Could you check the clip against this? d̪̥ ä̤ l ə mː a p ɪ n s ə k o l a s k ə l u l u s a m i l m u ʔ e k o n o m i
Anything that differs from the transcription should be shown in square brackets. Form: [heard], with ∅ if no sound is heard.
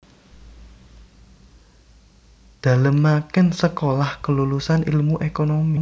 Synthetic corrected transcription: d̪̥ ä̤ l ə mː a [k] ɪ n s ə k o l a [h] k ə l u l u s a [n] i l m u ʔ e k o n o m i

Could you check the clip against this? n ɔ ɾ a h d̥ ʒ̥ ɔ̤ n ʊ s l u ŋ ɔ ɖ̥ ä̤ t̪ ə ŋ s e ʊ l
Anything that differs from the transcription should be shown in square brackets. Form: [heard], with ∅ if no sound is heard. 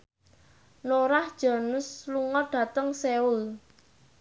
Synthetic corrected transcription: n [o] ɾ a h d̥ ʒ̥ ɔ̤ n ʊ s l u ŋ ɔ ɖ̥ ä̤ t̪ ə ŋ s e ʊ l

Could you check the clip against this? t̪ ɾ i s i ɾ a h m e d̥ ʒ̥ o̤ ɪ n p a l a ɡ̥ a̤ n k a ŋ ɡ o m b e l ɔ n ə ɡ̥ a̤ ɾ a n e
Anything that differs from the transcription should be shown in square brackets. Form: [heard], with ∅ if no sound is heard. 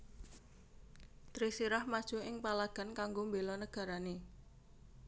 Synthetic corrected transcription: t̪ ɾ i s i ɾ a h m [a] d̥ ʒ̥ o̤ ɪ [ŋ] p a l a ɡ̥ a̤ n k a ŋ ɡ o m b e l ɔ n ə ɡ̥ a̤ ɾ a n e

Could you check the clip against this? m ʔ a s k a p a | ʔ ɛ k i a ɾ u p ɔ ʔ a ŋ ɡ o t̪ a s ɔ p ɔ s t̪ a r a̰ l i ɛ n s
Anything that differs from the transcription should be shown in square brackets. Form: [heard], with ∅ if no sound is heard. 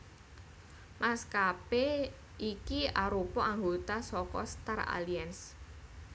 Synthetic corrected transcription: m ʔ a s k a p [e] | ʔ [i] k i a ɾ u p ɔ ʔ a ŋ ɡ o t̪ a s ɔ [k] ɔ s t̪ a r a̰ l i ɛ n s

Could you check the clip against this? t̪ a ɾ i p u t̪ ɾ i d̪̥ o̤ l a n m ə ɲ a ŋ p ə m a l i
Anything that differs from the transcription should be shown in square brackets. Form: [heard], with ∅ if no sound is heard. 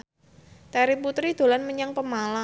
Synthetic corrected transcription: t̪ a ɾ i p u t̪ ɾ i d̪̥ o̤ l a n m ə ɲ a ŋ p ə m a l [a]

